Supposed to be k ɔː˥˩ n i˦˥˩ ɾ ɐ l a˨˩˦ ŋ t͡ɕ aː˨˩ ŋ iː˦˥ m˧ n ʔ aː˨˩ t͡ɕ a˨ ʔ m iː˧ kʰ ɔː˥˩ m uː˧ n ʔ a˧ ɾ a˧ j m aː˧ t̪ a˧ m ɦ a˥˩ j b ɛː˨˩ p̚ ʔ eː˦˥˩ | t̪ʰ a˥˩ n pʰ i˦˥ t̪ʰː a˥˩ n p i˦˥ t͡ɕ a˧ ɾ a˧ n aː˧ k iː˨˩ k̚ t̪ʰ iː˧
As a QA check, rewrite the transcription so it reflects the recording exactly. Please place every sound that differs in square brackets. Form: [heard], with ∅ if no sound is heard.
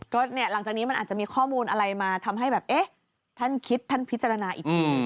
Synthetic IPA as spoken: k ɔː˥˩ n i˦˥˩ [∅] ɐ l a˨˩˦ ŋ t͡ɕ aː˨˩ [n] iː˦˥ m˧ n ʔ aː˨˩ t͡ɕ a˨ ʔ m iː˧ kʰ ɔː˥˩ m uː˧ n ʔ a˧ ɾ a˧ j m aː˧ [t̪ʰ] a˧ m ɦ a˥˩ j b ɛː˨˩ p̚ ʔ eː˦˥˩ | t̪ʰ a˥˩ n [kʰ] i˦˥ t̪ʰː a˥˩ n [pʰ] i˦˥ t͡ɕ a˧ ɾ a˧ n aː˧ [ʔ] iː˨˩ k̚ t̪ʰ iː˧